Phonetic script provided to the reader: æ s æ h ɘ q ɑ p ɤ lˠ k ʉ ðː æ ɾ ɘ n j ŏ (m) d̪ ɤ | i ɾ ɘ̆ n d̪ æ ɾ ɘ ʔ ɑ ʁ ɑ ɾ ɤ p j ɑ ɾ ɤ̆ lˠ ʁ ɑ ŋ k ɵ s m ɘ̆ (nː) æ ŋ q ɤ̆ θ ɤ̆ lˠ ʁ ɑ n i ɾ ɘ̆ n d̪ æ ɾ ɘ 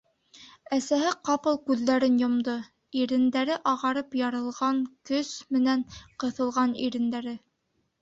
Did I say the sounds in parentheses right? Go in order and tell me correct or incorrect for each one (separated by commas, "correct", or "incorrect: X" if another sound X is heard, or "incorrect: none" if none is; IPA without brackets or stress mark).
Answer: correct, incorrect: n